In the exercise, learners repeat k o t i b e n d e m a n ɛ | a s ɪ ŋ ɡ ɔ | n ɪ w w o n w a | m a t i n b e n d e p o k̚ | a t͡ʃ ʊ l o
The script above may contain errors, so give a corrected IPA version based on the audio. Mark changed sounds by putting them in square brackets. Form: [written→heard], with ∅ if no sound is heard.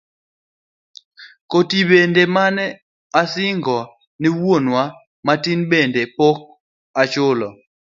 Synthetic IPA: k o t i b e n d e m a n ɛ | a s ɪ ŋ ɡ ɔ | n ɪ w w o n w a | m a t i n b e n d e p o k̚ | a t͡ʃ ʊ l [o→ɔ]